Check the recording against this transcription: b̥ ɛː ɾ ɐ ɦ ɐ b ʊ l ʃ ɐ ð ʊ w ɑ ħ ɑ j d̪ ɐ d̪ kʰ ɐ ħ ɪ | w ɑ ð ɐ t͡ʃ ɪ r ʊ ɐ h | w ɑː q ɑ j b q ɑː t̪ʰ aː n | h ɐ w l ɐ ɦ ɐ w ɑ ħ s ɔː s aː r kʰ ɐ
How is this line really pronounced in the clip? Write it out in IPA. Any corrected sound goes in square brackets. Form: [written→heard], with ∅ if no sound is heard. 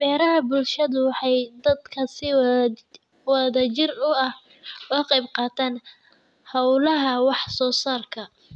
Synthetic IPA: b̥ ɛː ɾ ɐ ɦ ɐ b ʊ l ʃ ɐ ð ʊ w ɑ ħ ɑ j d̪ ɐ d̪ kʰ ɐ [ħ→s] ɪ | w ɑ ð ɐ t͡ʃ ɪ r ʊ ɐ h | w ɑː q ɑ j b q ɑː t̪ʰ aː n | h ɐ w l ɐ ɦ ɐ w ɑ ħ s ɔː s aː r kʰ ɐ